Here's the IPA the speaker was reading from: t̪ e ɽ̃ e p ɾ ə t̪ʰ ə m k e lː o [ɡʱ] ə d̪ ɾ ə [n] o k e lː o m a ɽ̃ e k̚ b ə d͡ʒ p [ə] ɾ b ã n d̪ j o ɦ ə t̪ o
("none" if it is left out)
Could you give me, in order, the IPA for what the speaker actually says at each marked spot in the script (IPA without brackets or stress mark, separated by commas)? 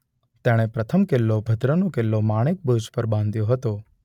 bʱ, n, ə